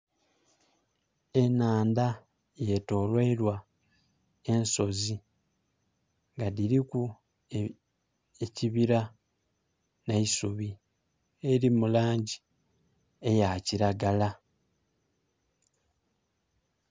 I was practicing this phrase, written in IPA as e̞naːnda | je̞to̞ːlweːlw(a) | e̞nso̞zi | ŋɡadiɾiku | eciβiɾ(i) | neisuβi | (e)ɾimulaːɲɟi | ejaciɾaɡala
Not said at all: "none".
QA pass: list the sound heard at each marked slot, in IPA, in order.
a, a, e

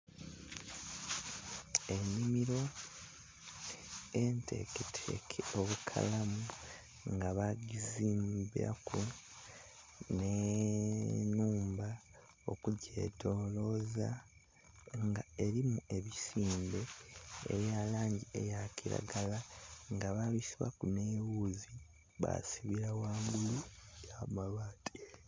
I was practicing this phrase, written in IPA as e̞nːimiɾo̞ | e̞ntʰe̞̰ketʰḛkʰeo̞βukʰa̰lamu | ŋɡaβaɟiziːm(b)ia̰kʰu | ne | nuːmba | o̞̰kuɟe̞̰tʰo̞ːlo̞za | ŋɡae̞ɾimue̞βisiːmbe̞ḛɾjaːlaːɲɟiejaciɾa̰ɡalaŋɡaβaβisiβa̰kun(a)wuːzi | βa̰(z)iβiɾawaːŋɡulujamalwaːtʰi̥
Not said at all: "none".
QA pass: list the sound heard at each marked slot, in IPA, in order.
b, e, s

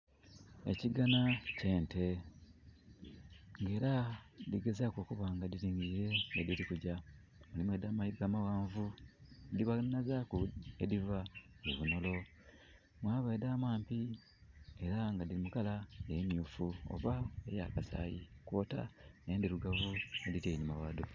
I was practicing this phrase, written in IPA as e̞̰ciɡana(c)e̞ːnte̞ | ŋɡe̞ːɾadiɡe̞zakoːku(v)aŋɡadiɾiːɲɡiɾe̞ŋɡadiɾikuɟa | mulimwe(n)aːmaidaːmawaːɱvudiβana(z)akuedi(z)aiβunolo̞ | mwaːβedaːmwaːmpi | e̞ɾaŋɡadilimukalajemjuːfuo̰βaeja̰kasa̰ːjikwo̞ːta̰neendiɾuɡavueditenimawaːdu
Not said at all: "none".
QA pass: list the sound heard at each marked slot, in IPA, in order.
c, β, d, z, v

